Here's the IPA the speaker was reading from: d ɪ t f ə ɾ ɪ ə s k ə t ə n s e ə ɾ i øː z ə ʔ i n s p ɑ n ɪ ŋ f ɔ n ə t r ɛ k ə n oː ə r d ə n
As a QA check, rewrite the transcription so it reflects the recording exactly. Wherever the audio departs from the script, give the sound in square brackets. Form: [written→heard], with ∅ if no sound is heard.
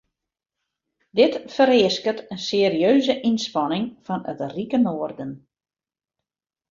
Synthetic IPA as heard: d ɪ t f ə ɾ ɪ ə s k ə t ə n s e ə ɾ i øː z ə ʔ i n s p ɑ n ɪ ŋ f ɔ n ə t r [ɛ→i] k ə n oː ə r d ə n